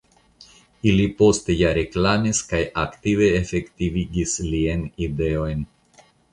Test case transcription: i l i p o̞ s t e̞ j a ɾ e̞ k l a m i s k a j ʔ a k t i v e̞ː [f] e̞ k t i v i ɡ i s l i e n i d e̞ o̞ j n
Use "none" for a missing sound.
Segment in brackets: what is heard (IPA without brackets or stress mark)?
f